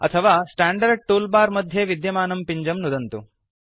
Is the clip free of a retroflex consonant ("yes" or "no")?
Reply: no